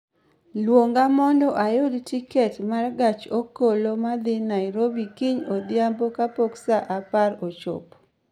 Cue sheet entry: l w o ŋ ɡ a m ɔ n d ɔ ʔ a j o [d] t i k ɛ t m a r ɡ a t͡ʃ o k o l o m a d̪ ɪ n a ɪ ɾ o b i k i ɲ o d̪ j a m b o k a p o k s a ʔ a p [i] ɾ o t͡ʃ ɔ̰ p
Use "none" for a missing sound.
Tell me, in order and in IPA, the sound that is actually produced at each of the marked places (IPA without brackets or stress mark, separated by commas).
d, a